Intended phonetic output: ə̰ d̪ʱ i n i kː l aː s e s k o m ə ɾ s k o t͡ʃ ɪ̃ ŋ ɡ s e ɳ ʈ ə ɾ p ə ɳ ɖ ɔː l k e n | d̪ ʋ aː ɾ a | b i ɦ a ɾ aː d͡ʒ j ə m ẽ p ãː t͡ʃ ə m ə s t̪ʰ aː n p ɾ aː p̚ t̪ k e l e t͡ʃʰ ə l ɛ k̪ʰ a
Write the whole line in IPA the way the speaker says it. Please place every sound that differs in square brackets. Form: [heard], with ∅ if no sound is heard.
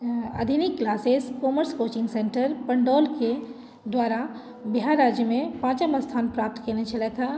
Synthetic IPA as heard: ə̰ d̪ʱ i n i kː l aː s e s k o m ə ɾ s k o t͡ʃ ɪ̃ ŋ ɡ s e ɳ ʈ ə ɾ p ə ɳ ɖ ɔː l k e [∅] | d̪ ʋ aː ɾ a | b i ɦ a ɾ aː d͡ʒ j ə m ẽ p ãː t͡ʃ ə m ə s t̪ʰ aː n p ɾ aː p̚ t̪ k e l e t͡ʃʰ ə l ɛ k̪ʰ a

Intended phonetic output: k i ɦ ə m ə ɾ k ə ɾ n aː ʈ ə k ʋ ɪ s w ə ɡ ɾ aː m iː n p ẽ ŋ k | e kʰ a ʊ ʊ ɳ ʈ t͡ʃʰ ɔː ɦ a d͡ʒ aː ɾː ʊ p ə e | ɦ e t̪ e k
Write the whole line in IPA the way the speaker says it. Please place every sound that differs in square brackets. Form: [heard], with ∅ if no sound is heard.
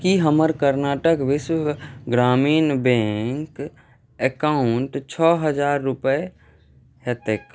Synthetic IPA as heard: k i ɦ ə m ə ɾ k ə ɾ n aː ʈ ə k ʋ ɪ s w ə ɡ ɾ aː m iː n [b] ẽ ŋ k | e [k] a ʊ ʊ ɳ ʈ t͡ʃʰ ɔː ɦ [ə] d͡ʒ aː ɾː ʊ p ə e | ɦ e t̪ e k

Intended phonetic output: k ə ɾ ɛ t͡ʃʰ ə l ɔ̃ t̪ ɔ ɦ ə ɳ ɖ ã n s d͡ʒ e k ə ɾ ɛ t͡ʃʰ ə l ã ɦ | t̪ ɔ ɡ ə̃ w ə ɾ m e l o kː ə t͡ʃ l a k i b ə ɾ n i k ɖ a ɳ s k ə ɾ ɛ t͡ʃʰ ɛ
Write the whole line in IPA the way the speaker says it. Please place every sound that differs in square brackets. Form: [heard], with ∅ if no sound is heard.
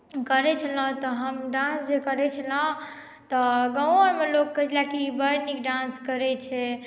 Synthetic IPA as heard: k ə ɾ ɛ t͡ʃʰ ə l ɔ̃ t̪ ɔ ɦ ə [m] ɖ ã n s d͡ʒ e k ə ɾ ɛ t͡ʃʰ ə l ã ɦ | t̪ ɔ ɡ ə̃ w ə ɾ m e l o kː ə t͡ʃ l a k i b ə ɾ n i k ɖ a [n] s k ə ɾ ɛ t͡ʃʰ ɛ

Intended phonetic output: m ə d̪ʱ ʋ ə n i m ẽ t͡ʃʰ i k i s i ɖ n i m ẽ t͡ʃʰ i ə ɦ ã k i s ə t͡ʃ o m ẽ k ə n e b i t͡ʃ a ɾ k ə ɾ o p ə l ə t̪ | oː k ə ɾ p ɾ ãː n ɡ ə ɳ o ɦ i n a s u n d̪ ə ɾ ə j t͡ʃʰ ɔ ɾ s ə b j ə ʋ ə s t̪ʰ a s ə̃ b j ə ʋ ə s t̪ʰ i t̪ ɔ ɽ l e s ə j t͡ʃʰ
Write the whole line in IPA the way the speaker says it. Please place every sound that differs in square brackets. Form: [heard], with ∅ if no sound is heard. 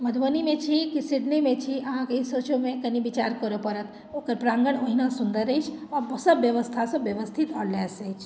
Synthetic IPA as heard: m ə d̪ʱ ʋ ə n i m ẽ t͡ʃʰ i k i s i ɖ n i m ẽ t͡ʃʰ i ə ɦ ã k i s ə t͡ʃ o m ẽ k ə n [i] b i t͡ʃ a ɾ k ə ɾ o p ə [ɾ] ə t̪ | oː k ə ɾ p ɾ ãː [ŋ] ɡ ə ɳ o ɦ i n a s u n d̪ ə ɾ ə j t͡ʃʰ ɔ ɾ s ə b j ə ʋ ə s t̪ʰ a s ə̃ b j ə ʋ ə s t̪ʰ i t̪ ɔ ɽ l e s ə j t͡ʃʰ

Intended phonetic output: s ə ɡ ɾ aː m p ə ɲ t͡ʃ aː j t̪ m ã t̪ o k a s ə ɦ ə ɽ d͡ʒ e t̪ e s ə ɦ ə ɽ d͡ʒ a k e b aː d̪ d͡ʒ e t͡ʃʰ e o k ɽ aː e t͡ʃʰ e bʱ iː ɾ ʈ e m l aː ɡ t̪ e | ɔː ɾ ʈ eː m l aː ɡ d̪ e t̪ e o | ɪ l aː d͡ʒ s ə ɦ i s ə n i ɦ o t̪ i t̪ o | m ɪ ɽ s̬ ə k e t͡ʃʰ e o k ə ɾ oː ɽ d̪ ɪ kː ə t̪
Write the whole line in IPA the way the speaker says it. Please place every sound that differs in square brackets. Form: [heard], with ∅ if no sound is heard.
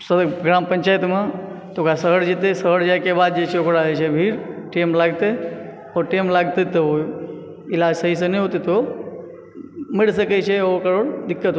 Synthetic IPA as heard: s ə ɡ ɾ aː m p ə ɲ t͡ʃ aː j t̪ m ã t̪ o k a s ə ɦ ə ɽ d͡ʒ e t̪ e s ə ɦ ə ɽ d͡ʒ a k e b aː d̪ d͡ʒ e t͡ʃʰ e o k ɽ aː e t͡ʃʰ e bʱ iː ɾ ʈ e m l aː ɡ t̪ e | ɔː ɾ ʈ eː m l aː ɡ [t̪] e t̪ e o | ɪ l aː d͡ʒ s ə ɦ i s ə n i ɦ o t̪ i t̪ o | m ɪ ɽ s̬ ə k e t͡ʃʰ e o k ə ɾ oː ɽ d̪ ɪ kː ə t̪

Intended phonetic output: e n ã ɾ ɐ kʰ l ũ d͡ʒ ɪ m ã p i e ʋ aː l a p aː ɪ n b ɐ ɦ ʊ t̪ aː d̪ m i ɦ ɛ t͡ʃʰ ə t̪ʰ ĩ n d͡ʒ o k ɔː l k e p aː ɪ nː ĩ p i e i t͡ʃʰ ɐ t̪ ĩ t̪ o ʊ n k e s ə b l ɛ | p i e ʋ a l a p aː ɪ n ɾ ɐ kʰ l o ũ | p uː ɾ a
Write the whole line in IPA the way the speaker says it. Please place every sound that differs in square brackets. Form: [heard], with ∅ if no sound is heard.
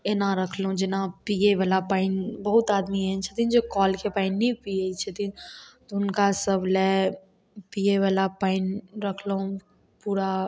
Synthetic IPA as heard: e n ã ɾ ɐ kʰ l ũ d͡ʒ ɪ [n] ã p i e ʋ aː l a p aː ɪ n b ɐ ɦ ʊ t̪ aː d̪ m i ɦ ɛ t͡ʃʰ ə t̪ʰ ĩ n d͡ʒ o k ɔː l k e p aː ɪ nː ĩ p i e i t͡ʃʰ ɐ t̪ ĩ t̪ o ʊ n k [a] s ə b l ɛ | p i e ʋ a l a p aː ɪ n ɾ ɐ kʰ l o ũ | p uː ɾ a

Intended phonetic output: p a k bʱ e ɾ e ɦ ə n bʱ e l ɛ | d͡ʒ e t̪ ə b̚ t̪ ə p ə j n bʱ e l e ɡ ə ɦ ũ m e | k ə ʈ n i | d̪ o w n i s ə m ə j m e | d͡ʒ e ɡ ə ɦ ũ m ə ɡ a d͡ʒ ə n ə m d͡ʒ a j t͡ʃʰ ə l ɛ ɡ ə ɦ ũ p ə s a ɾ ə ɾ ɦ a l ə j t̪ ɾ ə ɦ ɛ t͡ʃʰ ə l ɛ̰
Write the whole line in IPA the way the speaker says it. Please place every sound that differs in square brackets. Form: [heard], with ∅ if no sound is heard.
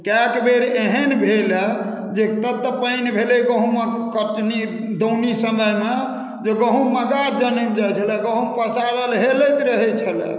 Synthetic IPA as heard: [k] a k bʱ e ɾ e ɦ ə n bʱ e l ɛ | d͡ʒ e t̪ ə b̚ t̪ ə p ə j n bʱ e l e ɡ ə ɦ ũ m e | k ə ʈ n i | d̪ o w n i s ə m ə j m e | d͡ʒ e ɡ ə ɦ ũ m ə ɡ a d͡ʒ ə n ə m d͡ʒ a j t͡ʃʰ ə l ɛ ɡ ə ɦ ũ p ə s a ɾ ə [l] ɦ [e] l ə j t̪ ɾ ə ɦ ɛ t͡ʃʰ ə l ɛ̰

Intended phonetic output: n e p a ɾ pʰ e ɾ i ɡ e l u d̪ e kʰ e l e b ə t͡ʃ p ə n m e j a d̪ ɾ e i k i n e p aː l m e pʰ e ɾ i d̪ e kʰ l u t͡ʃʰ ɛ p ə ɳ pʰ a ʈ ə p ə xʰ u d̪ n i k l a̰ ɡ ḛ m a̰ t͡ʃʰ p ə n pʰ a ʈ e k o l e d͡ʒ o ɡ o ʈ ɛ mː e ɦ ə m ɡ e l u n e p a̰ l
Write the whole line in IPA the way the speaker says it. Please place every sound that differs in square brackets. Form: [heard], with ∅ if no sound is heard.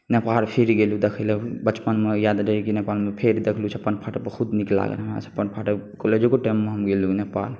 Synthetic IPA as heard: n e p a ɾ pʰ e ɾ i ɡ e l u d̪ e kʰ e l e b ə t͡ʃ p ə n m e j a d̪ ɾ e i k i n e p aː l m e pʰ e ɾ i d̪ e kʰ l u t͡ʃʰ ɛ p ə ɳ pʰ a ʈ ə p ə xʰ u d̪ n i k l a̰ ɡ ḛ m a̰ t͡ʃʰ p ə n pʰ a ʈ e k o l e d͡ʒ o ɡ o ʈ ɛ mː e ɦ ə m ɡ e l u n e p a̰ l

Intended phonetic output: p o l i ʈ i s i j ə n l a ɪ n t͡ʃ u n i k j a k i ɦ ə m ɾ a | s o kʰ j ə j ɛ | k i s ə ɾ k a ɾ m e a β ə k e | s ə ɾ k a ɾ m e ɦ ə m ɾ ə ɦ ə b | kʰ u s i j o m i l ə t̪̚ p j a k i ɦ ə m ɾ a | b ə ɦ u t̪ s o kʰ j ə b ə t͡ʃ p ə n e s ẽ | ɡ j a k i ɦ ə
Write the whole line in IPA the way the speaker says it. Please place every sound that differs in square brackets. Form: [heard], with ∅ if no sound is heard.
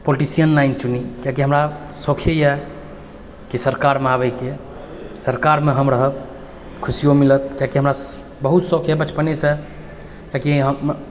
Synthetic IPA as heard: p o l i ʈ i s i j ə n l a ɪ n t͡ʃ u n i k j a k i ɦ ə m ɾ a | s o kʰ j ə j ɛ | k i s ə ɾ k a ɾ m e a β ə k e | s ə ɾ k a ɾ m e ɦ ə m ɾ ə ɦ ə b | kʰ u s i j o m i l ə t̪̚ [k] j a k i ɦ ə m ɾ a | b ə ɦ u t̪ s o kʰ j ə b ə t͡ʃ p ə n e s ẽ | [k] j a k i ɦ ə

